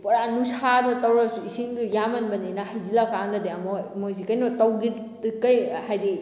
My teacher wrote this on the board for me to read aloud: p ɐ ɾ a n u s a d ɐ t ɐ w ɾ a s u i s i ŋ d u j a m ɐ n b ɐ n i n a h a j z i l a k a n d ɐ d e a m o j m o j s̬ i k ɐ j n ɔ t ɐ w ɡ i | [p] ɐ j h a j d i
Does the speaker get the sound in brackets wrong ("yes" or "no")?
yes